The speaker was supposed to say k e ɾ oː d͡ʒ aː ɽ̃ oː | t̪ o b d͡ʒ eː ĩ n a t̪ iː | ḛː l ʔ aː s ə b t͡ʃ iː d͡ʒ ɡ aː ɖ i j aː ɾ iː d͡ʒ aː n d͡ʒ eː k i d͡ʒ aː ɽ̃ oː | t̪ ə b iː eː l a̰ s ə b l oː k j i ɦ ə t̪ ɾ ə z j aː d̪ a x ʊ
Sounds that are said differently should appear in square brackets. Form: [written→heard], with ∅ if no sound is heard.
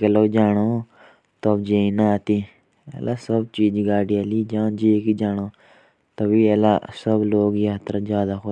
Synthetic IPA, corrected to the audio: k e [ɾ→l] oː d͡ʒ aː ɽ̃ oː | t̪ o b d͡ʒ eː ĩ n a t̪ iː | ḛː l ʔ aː s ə b t͡ʃ iː d͡ʒ ɡ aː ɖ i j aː [ɾ→l] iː d͡ʒ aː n d͡ʒ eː k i d͡ʒ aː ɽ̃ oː | t̪ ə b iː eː l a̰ s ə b l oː [k→ɡ] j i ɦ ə t̪ ɾ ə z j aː d̪ a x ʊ